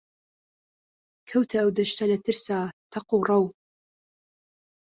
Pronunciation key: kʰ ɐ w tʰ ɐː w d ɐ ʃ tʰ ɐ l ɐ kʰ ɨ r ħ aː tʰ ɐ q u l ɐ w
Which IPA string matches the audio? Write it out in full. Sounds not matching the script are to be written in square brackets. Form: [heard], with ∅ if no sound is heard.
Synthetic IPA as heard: kʰ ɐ w tʰ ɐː w d ɐ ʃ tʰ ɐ l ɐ [tʰ] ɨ r [s] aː tʰ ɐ q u [r] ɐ w